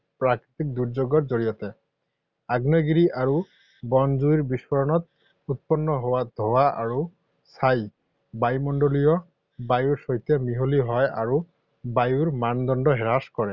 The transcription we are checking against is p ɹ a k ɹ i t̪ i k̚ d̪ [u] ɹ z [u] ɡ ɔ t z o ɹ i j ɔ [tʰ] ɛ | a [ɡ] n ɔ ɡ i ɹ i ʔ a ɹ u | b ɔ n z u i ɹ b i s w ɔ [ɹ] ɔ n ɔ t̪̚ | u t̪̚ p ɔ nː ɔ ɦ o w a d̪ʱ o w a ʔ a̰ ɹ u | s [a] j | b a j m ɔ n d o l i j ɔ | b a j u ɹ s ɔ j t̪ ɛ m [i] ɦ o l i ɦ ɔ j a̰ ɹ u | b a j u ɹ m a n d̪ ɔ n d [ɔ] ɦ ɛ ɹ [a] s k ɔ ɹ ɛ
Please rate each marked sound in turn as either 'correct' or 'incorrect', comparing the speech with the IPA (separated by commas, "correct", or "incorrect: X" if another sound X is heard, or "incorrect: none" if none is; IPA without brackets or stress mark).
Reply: correct, incorrect: o, incorrect: t, correct, correct, correct, correct, correct, correct